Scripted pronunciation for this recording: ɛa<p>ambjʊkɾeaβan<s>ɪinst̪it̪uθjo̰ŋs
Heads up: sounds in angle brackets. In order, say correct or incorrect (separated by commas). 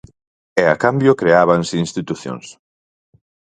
incorrect, correct